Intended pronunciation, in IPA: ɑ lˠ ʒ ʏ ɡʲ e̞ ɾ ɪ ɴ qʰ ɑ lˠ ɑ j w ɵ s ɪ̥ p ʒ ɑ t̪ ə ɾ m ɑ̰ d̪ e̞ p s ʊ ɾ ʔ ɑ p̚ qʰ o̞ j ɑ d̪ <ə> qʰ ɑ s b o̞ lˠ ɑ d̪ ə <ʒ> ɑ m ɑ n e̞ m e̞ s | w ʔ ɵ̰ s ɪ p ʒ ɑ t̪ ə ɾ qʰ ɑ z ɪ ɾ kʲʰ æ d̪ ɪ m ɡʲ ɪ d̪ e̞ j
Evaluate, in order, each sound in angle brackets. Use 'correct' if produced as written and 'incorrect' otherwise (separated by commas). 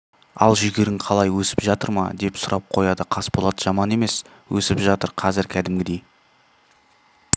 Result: correct, correct